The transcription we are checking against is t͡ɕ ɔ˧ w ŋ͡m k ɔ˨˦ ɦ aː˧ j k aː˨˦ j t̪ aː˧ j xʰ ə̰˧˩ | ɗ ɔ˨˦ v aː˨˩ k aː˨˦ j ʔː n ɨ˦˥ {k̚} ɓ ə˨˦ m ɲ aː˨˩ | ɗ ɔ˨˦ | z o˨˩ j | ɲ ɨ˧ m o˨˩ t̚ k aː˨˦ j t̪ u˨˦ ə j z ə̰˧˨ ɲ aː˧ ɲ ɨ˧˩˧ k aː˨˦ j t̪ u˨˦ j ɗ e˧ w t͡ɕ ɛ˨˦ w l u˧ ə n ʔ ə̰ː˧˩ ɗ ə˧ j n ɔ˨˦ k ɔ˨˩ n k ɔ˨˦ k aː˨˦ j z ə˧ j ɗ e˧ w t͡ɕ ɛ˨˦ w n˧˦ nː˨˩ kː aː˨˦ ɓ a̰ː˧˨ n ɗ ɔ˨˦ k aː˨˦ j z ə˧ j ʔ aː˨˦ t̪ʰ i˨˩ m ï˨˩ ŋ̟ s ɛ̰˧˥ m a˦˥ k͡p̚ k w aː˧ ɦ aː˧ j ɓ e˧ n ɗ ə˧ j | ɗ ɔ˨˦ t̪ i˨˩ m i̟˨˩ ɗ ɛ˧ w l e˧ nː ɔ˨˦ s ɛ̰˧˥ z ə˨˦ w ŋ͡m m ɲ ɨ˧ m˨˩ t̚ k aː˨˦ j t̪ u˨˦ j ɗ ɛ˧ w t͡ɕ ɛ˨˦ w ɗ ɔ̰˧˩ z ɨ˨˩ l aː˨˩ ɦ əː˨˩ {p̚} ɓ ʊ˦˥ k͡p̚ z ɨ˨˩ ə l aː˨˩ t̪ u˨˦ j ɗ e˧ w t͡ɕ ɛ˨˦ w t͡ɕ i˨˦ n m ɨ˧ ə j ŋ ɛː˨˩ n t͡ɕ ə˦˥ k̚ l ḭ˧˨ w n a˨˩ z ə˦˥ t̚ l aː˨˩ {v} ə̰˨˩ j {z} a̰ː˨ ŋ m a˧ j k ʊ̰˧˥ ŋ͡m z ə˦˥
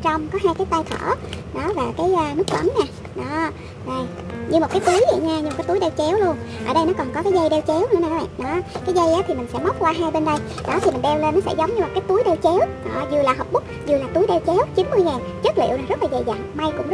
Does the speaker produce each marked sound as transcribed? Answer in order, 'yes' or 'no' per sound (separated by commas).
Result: yes, yes, no, yes